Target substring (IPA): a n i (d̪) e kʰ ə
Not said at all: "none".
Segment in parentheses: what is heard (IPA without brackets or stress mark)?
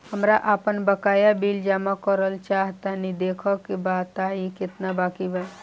d̪